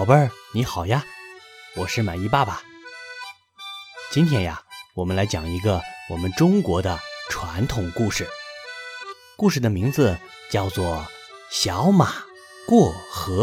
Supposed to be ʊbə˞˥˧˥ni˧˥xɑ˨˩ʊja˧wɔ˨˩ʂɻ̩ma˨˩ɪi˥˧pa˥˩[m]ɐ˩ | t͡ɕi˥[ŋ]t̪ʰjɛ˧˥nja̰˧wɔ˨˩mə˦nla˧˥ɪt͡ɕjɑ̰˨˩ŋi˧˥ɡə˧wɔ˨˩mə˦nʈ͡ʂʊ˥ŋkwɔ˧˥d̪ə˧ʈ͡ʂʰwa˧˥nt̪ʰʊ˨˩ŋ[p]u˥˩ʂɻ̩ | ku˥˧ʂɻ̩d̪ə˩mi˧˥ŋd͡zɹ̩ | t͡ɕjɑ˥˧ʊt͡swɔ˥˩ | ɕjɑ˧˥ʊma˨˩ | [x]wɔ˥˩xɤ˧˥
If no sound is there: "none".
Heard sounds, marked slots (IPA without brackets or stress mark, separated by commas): b, n, k, k